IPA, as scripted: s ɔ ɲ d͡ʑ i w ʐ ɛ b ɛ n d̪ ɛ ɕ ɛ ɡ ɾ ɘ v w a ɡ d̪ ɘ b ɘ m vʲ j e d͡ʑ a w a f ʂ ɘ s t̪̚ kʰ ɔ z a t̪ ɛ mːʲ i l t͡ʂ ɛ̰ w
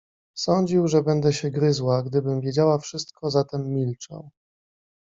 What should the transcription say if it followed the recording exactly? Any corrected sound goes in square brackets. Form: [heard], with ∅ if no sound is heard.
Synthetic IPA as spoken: s ɔ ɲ d͡ʑ i w ʐ ɛ b ɛ n d̪ ɛ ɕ ɛ ɡ ɾ ɘ [z] w a ɡ d̪ ɘ b ɘ m vʲ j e d͡ʑ a w a f ʂ ɘ s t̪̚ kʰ ɔ z a t̪ ɛ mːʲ i l t͡ʂ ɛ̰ w